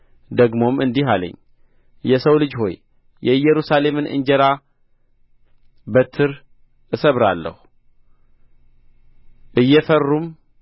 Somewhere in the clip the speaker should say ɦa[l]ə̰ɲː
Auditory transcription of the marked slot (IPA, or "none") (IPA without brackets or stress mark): l